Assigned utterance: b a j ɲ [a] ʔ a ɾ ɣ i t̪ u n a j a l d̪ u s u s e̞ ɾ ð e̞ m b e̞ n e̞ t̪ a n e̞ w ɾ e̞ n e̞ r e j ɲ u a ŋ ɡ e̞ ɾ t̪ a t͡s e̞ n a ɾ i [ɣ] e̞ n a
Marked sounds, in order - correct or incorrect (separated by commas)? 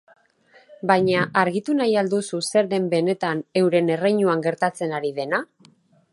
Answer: correct, incorrect